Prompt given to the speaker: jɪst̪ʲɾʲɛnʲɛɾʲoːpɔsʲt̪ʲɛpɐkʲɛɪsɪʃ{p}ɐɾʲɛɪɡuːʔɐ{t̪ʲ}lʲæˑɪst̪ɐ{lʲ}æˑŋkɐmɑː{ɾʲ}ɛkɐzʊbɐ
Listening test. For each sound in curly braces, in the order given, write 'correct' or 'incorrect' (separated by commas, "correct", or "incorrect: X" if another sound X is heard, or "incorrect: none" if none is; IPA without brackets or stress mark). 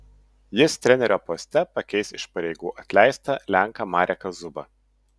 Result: correct, correct, correct, correct